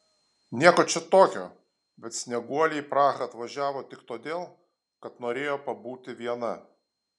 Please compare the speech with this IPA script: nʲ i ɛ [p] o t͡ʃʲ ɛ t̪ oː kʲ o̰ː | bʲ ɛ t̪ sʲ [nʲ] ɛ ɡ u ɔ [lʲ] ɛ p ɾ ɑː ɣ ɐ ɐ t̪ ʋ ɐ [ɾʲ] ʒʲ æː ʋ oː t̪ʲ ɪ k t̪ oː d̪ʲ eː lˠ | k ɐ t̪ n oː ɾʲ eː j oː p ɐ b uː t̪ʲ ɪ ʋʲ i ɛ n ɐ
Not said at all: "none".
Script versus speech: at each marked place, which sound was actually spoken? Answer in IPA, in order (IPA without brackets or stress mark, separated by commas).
k, nʲ, lʲ, none